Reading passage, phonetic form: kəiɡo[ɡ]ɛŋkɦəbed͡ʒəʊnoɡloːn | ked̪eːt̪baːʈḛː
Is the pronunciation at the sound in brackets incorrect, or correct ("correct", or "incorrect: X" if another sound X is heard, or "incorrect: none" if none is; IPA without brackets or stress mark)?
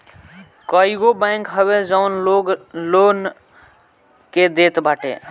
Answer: incorrect: b